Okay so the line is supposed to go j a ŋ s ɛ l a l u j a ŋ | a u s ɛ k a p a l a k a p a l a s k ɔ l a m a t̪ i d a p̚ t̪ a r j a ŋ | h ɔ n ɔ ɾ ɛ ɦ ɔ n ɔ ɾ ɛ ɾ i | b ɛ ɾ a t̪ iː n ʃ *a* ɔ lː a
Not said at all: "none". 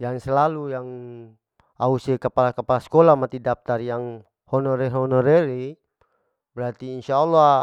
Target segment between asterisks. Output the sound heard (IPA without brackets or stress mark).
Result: a